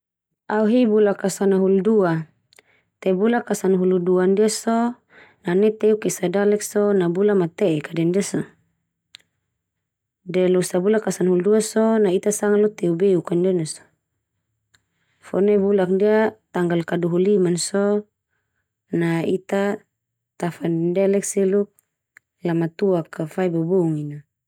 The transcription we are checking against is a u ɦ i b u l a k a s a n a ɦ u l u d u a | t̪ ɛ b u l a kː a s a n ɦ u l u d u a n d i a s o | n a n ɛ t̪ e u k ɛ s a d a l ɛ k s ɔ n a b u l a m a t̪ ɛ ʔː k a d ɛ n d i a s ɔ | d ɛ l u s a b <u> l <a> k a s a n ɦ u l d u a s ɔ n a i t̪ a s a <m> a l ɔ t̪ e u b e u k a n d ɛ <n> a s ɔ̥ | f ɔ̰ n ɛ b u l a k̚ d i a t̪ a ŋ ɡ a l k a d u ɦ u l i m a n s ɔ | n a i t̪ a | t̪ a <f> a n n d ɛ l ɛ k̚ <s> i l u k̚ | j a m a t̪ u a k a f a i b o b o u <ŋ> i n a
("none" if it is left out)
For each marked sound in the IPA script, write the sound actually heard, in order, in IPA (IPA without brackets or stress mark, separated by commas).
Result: u, a, ŋ, n, f, s, ŋ